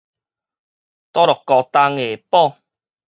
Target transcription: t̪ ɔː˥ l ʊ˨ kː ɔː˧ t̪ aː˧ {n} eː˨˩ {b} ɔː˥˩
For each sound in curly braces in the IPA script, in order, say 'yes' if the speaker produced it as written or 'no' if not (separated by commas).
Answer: no, no